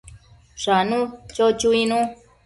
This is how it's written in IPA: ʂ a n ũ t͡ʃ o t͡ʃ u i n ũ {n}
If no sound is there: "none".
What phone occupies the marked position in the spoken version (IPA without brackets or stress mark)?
none